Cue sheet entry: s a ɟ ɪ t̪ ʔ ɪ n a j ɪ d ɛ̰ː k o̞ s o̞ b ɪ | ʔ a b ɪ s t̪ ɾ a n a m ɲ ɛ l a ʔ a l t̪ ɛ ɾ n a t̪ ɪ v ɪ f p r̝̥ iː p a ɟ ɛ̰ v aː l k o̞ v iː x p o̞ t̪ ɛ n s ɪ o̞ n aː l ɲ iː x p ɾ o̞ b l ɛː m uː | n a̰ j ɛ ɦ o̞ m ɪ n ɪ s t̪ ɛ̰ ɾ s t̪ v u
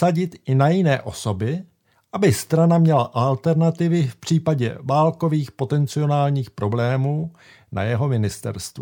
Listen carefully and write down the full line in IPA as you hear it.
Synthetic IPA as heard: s a ɟ ɪ t̪ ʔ ɪ n a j ɪ n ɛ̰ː ʔ o̞ s o̞ b ɪ | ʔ a b ɪ s t̪ ɾ a n a m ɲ ɛ l a ʔ a l t̪ ɛ ɾ n a t̪ ɪ v ɪ f p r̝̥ iː p a ɟ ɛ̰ v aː l k o̞ v iː x p o̞ t̪ ɛ n t͡s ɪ o̞ n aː l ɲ iː x p ɾ o̞ b l ɛː m uː | n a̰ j ɛ ɦ o̞ m ɪ n ɪ s t̪ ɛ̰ ɾ s t̪ v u